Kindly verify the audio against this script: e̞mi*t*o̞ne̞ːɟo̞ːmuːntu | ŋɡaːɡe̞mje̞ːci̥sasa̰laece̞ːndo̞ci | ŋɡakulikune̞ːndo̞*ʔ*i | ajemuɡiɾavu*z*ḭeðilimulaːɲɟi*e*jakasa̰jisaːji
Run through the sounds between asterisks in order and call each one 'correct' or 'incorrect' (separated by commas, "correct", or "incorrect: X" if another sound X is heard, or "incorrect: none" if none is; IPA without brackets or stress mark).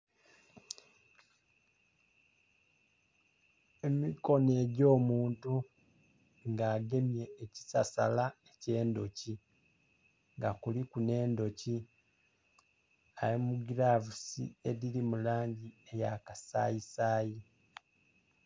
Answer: incorrect: k, incorrect: c, incorrect: s, correct